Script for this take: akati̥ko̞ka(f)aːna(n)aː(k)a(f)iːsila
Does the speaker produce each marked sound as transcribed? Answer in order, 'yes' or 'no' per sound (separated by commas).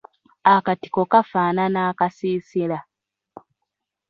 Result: yes, yes, yes, no